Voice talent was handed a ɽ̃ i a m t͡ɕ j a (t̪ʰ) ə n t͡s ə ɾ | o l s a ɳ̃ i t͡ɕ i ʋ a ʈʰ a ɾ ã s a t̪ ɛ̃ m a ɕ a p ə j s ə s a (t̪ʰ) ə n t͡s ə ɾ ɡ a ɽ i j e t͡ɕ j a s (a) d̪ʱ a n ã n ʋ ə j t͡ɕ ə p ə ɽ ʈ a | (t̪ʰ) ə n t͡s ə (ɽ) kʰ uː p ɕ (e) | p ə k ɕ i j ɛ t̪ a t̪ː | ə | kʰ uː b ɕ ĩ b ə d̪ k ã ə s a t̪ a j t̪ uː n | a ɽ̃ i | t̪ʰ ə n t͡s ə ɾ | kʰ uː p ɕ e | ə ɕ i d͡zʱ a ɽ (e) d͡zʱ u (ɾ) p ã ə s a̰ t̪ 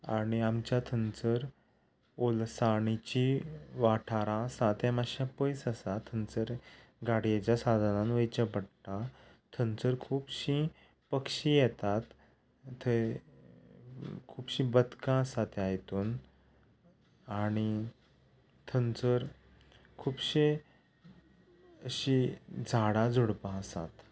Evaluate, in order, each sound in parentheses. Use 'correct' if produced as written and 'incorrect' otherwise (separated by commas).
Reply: correct, correct, correct, correct, incorrect, incorrect, incorrect, incorrect